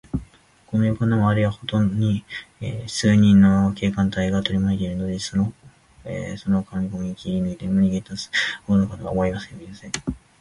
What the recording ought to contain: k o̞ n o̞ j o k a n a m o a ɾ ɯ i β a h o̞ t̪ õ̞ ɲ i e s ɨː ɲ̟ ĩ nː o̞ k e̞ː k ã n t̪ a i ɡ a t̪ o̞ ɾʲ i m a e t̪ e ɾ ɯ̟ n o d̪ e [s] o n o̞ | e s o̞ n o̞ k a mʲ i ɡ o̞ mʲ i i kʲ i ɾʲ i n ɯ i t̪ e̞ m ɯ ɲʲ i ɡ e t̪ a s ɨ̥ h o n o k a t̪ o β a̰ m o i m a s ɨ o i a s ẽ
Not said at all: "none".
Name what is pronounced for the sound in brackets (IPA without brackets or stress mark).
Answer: s